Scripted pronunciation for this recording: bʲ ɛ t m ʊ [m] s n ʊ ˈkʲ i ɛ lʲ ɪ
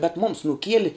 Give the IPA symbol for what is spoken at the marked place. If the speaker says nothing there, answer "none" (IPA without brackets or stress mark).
m